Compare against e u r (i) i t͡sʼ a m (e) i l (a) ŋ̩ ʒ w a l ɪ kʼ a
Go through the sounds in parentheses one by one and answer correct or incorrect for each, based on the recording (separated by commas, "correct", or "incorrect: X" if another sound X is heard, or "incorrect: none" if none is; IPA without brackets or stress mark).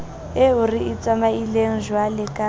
correct, incorrect: a, incorrect: e